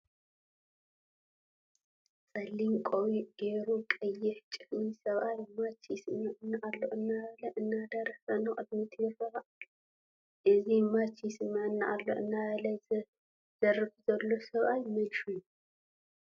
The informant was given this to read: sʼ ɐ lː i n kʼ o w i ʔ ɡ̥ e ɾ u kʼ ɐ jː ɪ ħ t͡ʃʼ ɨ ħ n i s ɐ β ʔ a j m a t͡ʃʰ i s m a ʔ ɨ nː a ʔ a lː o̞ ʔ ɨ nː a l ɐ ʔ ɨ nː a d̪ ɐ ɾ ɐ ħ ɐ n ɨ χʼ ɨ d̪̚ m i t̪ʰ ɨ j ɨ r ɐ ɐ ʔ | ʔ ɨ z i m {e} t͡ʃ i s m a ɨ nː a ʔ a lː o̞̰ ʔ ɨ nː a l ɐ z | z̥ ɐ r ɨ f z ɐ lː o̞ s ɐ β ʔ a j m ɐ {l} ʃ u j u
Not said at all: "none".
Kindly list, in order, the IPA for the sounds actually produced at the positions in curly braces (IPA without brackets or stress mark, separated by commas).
a, l